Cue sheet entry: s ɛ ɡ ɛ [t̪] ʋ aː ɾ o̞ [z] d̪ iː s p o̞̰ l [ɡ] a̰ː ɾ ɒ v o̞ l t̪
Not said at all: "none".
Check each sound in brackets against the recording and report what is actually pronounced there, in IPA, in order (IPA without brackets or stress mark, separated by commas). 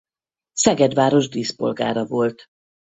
d̪, ʒ, ɡ